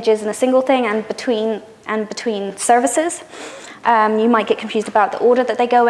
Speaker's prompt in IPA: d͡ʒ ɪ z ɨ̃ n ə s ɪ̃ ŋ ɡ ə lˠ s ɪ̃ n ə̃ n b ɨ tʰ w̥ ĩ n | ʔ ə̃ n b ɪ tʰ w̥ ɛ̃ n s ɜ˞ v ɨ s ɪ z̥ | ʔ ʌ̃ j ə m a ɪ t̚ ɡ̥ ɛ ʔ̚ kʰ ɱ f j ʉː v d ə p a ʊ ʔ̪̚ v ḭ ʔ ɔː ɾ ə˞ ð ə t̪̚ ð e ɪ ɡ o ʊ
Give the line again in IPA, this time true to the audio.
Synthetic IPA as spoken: d͡ʒ ɪ z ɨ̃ n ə s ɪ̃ ŋ ɡ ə lˠ θ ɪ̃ ŋ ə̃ n b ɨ tʰ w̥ ĩ n | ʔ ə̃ n b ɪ tʰ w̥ ĩ n s ɜ˞ v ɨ s ɪ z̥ | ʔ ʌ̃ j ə m a ɪ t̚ ɡ̥ ɛ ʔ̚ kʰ ɱ f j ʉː z d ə b a ʊ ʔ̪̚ ð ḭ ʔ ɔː ɾ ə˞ ð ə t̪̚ ð e ɪ ɡ o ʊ